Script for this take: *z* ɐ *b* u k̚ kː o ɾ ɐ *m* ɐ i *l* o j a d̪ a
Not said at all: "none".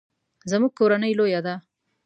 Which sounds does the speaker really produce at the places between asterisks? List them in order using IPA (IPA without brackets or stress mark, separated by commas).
z, m, n, l